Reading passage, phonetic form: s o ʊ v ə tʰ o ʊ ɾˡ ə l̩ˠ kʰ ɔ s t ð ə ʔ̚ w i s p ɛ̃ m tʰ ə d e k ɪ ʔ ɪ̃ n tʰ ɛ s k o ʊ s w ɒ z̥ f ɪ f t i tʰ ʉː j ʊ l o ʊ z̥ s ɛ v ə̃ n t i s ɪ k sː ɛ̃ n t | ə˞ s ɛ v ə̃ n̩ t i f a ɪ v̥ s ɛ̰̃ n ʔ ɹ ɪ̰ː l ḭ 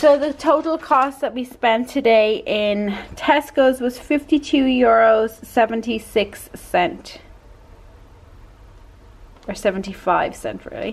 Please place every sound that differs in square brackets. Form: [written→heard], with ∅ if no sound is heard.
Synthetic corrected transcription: s o ʊ [v→ð] ə tʰ o ʊ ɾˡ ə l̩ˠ kʰ ɔ s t ð ə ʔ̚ w i s p ɛ̃ [m→n] tʰ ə d e [k→∅] ɪ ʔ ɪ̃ n tʰ ɛ s k o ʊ [s→z] w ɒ z̥ f ɪ f t i tʰ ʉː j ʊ [l→ɹ] o ʊ z̥ s ɛ v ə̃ n t i s ɪ k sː ɛ̃ n t | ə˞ s ɛ v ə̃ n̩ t i f a ɪ v̥ s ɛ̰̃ n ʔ ɹ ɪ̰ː l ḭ

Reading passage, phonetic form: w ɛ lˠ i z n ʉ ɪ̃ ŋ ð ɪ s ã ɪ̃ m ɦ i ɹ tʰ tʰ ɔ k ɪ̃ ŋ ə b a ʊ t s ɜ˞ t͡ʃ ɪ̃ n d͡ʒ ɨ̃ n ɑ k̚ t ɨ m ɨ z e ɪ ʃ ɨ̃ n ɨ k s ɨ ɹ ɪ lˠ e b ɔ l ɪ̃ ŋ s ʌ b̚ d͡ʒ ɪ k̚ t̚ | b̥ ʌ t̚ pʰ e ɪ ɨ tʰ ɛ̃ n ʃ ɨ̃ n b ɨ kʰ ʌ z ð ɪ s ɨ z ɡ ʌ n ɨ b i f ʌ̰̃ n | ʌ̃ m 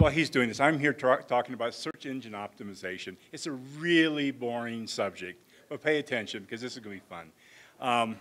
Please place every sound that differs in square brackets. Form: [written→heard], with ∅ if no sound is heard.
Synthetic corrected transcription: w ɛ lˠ i z [n→d] ʉ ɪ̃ ŋ ð ɪ s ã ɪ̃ m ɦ i ɹ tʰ tʰ ɔ k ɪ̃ ŋ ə b a ʊ t s ɜ˞ t͡ʃ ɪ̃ n d͡ʒ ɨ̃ n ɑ [k̚→p̚] t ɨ m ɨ z e ɪ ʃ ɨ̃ n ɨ [k→t] s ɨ ɹ ɪ lˠ [e→i] b ɔ [l→ɹ] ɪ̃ ŋ s ʌ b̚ d͡ʒ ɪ k̚ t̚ | b̥ ʌ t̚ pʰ e ɪ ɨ tʰ ɛ̃ n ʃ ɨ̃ n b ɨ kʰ ʌ z ð ɪ s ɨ z ɡ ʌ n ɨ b i f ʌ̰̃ n | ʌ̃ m

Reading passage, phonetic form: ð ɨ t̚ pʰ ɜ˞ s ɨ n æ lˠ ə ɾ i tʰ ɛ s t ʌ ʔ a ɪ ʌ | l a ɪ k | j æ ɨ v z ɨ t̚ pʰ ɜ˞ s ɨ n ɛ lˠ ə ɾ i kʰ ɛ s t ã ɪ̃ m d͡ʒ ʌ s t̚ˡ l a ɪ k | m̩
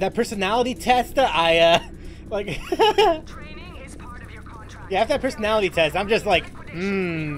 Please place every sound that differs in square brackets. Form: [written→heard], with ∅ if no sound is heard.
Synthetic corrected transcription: ð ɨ t̚ pʰ ɜ˞ s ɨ n æ lˠ ə ɾ i tʰ ɛ s t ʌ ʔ a ɪ ʌ | l a ɪ k | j æ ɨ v [z→ð] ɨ t̚ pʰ ɜ˞ s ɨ n [ɛ→æ] lˠ ə ɾ i [kʰ→tʰ] ɛ s t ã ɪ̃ m d͡ʒ ʌ s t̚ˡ l a ɪ k | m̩

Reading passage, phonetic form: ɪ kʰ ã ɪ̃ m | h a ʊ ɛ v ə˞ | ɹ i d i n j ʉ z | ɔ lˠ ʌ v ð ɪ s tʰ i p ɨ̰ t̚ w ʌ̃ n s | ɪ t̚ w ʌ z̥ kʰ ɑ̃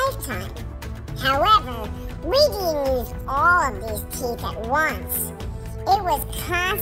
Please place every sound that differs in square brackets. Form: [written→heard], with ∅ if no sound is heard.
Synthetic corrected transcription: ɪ [kʰ→tʰ] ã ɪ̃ m | h a ʊ ɛ v ə˞ | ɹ i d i n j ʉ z | ɔ lˠ ʌ v ð ɪ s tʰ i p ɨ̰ t̚ w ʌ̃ n s | ɪ t̚ w ʌ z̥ kʰ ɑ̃

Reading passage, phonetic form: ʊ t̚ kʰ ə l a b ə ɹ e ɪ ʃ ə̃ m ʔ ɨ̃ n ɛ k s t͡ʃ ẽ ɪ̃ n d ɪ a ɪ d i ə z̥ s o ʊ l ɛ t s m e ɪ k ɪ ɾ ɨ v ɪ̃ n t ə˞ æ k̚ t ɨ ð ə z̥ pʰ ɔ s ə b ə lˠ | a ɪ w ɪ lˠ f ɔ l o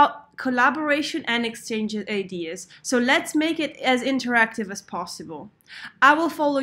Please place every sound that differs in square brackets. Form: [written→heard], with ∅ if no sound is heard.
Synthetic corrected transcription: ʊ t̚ kʰ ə l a b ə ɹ e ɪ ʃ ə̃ [m→n] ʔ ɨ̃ n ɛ k s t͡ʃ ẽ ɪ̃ n [d→d͡ʒ] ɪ a ɪ d i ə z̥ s o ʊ l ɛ t s m e ɪ k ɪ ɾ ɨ [v→z] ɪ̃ n t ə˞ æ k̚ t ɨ [ð→v] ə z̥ pʰ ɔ s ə b ə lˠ | a ɪ w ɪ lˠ f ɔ l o

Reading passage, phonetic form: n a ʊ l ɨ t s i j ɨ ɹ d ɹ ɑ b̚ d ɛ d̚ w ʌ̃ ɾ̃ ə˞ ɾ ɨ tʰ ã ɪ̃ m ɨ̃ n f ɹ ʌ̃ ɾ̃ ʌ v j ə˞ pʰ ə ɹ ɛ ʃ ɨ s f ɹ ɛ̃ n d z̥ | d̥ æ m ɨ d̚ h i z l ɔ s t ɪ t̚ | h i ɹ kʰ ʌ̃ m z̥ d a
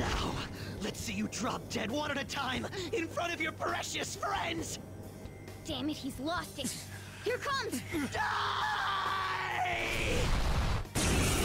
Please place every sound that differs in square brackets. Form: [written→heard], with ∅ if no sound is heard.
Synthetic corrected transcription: n a ʊ l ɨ t s i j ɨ [ɹ→∅] d ɹ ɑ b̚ d ɛ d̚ w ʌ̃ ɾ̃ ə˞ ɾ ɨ tʰ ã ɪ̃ m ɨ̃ n f ɹ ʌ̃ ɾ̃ ʌ v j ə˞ pʰ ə ɹ ɛ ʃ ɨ s f ɹ ɛ̃ n d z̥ | d̥ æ m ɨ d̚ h i z l ɔ s t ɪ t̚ | h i ɹ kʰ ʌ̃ m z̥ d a

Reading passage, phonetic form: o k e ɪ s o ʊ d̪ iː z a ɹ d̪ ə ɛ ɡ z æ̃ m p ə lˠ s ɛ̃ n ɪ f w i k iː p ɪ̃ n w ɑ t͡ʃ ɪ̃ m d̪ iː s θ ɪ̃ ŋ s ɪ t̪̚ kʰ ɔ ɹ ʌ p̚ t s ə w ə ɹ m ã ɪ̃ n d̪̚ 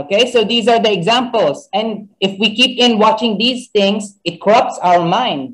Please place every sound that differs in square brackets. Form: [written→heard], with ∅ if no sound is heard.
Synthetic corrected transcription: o k e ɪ s o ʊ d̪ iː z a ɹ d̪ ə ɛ ɡ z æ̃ m p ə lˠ s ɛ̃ n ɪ f w i k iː p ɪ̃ n w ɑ t͡ʃ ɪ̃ [m→ŋ] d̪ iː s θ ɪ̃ ŋ s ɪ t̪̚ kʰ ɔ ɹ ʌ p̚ t s [ə→a] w ə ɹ m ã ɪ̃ n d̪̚

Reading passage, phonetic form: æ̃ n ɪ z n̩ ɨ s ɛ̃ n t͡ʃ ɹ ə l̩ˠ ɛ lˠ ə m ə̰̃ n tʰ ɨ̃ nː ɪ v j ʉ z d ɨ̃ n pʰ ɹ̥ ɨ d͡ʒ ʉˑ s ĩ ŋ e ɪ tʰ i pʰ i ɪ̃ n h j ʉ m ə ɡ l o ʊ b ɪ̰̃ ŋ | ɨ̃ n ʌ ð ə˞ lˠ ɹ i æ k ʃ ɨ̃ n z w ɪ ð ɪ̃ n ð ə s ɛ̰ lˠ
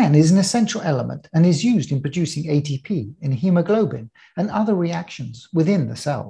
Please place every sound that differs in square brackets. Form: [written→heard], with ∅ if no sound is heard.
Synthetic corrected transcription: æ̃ n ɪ z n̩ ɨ s ɛ̃ n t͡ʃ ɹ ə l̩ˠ ɛ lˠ ə m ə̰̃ n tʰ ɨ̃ [nː→n] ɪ [v→z] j ʉ z d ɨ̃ n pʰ ɹ̥ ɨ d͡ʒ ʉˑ s [ĩ→ɪ̃] ŋ e ɪ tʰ i pʰ i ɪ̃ n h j ʉ m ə ɡ l o ʊ b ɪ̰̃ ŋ | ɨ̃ n ʌ ð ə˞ [lˠ→∅] ɹ i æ k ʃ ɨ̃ n z w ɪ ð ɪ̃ n ð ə s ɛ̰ lˠ

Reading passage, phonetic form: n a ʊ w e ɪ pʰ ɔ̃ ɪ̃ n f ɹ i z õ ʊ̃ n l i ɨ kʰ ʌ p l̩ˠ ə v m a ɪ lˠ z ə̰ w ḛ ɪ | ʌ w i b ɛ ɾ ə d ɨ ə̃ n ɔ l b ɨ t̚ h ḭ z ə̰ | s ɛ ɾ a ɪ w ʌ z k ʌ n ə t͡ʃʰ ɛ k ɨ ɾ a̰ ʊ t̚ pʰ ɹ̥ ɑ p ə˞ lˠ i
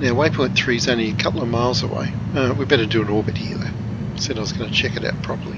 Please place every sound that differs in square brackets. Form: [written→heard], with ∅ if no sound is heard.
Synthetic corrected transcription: n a ʊ w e ɪ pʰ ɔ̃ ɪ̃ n [f→θ] ɹ i z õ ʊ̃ n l i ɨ kʰ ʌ p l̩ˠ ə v m a ɪ lˠ z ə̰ w ḛ ɪ | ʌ w i b ɛ ɾ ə d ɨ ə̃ n ɔ [l→ɹ] b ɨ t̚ h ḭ [z→ð] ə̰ | s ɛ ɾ a ɪ w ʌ z [k→ɡ] ʌ n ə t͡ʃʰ ɛ k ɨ ɾ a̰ ʊ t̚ pʰ ɹ̥ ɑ p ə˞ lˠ i

